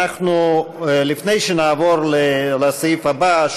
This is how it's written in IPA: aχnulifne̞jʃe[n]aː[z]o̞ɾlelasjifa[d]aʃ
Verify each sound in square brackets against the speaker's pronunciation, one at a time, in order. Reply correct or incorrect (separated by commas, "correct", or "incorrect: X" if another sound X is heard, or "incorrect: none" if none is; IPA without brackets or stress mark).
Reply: correct, incorrect: v, incorrect: b